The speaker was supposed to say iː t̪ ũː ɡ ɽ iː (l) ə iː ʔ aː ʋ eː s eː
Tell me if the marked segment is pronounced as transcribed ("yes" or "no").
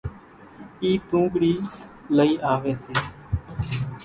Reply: yes